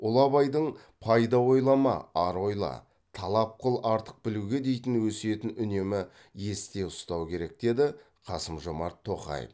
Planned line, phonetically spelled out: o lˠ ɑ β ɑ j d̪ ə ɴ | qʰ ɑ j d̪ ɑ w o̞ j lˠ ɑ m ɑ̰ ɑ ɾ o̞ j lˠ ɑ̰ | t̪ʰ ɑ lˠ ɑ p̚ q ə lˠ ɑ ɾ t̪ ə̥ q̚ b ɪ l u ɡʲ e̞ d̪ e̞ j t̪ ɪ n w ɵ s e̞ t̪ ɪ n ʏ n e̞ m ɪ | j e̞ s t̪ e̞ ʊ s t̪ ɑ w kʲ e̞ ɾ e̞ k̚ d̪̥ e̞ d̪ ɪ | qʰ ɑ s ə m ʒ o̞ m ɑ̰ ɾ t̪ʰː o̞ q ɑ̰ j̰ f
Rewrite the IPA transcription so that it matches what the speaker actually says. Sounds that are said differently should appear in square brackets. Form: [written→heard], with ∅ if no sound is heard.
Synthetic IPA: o lˠ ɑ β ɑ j d̪ ə ɴ | [qʰ→pʰ] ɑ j d̪ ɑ w o̞ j lˠ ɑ m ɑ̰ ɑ ɾ o̞ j lˠ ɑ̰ | t̪ʰ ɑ lˠ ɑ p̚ q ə lˠ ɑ ɾ t̪ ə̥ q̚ b ɪ l u ɡʲ e̞ d̪ e̞ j t̪ ɪ n w ɵ s e̞ t̪ ɪ n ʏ n e̞ m ɪ | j e̞ s t̪ e̞ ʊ s t̪ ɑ w kʲ e̞ ɾ e̞ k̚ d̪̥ e̞ d̪ ɪ | qʰ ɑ s ə m ʒ o̞ m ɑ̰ ɾ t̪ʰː o̞ q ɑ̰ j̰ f